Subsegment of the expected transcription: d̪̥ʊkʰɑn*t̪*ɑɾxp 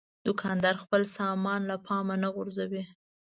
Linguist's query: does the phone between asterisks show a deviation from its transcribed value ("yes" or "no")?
yes